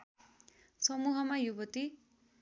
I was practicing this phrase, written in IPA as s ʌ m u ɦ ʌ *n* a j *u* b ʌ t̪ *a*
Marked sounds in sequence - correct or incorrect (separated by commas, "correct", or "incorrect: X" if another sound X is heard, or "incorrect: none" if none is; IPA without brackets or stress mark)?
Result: incorrect: m, correct, incorrect: i